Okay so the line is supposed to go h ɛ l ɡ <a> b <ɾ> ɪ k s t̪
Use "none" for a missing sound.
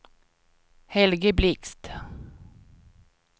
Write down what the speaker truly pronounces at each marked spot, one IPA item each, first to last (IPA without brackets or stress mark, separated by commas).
ə, l